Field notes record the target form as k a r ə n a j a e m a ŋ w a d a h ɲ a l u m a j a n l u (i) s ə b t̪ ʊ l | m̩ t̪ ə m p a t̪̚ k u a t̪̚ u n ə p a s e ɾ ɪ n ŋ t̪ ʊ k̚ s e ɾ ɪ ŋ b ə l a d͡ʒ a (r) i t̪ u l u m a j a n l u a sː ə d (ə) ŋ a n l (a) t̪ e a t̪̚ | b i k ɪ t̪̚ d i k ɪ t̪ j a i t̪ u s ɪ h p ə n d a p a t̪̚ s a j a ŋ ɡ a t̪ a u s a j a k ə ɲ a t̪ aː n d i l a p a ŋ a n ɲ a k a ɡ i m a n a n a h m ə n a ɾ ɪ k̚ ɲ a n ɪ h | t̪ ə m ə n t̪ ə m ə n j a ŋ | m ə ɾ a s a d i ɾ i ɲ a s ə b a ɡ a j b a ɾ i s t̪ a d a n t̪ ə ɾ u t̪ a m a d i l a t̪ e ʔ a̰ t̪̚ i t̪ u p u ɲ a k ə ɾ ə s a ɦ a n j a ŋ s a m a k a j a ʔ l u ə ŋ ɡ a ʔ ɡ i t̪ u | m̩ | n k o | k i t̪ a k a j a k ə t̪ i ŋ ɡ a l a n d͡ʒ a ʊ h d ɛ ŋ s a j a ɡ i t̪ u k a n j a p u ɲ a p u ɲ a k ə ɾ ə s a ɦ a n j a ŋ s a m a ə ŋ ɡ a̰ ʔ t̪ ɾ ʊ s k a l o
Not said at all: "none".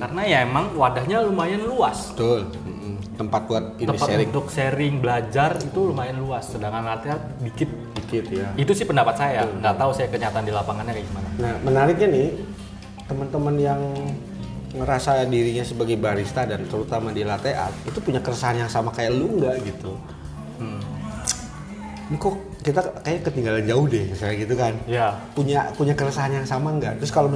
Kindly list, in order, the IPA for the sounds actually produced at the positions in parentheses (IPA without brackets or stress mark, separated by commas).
a, r, a, a